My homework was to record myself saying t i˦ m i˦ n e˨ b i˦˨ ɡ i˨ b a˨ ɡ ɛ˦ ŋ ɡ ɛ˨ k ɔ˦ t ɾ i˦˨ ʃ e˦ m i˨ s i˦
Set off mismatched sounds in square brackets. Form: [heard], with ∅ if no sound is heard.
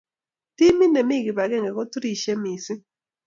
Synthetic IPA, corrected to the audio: t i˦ m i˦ n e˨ [m] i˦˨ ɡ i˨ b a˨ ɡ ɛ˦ ŋ ɡ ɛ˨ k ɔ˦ t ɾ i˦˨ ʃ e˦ m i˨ s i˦